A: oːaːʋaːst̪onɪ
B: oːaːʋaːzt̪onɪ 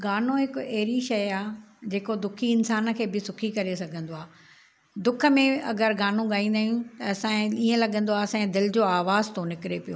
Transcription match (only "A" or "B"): B